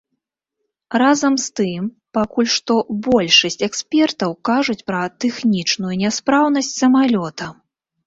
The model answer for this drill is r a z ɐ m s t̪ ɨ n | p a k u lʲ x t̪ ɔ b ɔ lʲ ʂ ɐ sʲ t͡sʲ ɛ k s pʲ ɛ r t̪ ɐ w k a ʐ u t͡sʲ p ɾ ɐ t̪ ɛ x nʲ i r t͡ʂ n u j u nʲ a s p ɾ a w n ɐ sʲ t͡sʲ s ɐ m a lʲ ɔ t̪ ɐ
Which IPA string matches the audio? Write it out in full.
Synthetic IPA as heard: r a z ɐ m s t̪ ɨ m | p a k u lʲ ʂ t̪ ɔ b ɔ lʲ ʂ ɐ sʲ t͡sʲ ɛ k s pʲ ɛ r t̪ ɐ w k a ʐ u t͡sʲ p ɾ ɐ t̪ ɛ x nʲ i t͡ʂ n u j u nʲ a s p ɾ a w n ɐ sʲ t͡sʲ s ɐ m a lʲ ɔ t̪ ɐ